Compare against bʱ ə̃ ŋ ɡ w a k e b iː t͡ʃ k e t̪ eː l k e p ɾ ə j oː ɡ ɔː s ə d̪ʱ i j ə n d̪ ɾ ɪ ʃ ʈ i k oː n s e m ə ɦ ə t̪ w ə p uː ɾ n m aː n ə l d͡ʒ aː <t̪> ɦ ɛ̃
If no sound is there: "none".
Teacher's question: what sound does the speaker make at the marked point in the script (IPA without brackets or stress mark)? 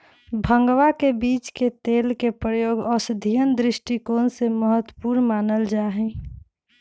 none